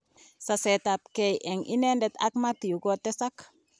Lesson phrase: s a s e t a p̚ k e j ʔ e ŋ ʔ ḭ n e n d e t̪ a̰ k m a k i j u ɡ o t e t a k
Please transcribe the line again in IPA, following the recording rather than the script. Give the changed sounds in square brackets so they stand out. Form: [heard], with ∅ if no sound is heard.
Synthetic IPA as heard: s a s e t a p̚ k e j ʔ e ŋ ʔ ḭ n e n d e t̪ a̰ k m a [t] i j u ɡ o t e [s] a k